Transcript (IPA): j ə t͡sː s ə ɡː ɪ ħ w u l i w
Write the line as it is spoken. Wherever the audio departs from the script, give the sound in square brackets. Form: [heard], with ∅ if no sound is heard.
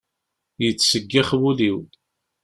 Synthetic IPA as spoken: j ə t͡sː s ə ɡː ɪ [χ] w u l i w